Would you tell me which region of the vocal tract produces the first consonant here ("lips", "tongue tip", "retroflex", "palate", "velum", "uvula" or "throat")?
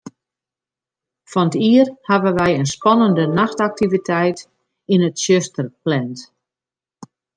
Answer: lips